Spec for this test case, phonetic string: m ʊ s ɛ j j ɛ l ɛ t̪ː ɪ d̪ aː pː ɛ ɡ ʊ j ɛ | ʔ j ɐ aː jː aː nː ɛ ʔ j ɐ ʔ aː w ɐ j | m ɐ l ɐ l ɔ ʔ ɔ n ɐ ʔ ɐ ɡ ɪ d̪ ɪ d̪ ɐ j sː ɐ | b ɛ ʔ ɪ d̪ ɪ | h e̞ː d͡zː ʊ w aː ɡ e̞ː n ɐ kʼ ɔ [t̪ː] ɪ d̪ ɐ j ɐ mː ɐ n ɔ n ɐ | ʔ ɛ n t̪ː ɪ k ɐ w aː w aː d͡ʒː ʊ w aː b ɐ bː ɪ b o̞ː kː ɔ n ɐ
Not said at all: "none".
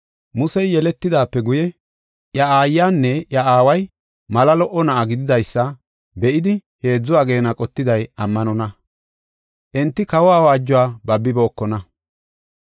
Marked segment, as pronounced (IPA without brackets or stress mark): t̪ː